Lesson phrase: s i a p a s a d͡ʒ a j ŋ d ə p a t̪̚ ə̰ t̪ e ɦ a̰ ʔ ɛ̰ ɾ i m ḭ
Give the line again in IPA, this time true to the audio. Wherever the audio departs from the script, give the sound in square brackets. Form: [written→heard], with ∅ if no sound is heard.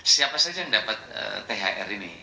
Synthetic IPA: s i a p a s a d͡ʒ a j ŋ d [ə→a] p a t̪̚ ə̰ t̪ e ɦ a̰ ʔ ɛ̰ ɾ i [m→n] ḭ